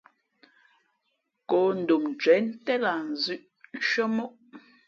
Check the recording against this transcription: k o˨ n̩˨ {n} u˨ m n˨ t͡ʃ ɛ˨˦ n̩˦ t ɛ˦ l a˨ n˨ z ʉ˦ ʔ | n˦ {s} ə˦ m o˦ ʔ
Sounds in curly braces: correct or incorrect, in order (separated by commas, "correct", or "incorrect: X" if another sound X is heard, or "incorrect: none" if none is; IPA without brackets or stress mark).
incorrect: d, incorrect: ʃ